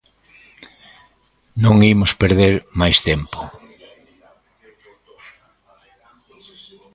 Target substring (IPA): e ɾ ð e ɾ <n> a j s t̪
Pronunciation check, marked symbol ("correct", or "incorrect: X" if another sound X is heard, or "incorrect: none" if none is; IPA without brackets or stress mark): incorrect: m